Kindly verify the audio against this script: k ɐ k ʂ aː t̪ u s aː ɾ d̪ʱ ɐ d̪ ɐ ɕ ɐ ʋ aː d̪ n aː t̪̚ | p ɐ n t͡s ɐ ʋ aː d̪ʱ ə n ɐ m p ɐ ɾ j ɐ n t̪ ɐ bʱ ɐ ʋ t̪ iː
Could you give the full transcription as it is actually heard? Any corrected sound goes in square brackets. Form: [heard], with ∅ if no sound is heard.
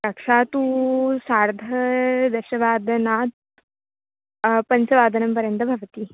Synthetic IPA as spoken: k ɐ k ʂ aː t̪ u s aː ɾ d̪ʱ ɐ d̪ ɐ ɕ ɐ ʋ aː d̪ n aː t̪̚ | p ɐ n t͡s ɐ ʋ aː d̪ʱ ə n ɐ m p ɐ ɾ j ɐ n t̪ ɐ bʱ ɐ ʋ t̪ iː